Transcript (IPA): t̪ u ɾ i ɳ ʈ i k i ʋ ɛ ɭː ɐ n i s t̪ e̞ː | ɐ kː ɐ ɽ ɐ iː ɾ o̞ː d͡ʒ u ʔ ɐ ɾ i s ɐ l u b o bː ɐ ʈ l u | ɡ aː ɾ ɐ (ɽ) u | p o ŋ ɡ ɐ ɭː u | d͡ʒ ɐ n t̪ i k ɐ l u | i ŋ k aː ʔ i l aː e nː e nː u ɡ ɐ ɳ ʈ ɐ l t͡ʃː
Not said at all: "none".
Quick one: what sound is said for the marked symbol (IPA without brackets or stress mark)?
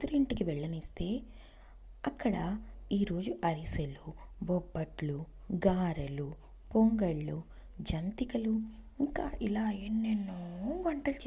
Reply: l